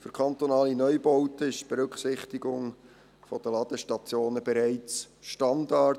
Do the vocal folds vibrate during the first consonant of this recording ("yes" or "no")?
no